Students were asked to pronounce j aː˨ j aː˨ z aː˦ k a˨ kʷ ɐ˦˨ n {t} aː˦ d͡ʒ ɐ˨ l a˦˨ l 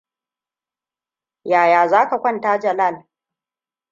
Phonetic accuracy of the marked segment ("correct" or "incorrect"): correct